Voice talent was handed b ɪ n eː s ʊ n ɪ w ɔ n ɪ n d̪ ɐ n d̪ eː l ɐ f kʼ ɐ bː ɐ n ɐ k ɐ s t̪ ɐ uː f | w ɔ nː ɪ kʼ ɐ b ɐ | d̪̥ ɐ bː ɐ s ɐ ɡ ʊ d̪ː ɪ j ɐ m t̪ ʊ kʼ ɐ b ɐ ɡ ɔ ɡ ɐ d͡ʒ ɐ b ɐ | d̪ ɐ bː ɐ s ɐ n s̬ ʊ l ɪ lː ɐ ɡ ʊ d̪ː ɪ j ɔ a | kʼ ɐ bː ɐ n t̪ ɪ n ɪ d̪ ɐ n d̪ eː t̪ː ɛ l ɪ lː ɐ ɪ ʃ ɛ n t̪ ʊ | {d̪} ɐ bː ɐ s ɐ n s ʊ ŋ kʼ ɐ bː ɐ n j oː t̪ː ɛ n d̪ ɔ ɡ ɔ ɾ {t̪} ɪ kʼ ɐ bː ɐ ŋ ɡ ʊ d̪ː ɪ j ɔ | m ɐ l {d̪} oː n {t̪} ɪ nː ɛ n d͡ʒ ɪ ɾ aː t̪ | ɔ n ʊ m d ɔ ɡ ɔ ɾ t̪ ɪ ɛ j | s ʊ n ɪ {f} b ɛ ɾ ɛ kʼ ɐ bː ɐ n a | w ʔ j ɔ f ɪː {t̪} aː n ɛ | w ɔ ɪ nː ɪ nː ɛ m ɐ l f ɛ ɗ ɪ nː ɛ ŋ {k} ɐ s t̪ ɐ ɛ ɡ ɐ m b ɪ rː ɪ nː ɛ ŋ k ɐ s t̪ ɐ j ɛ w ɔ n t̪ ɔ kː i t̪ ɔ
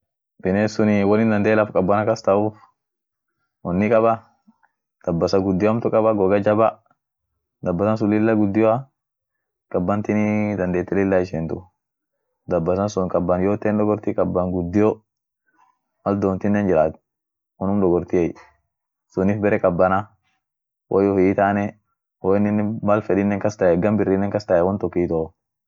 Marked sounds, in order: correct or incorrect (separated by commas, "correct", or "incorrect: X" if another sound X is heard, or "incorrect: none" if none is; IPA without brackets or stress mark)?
correct, correct, correct, correct, correct, correct, correct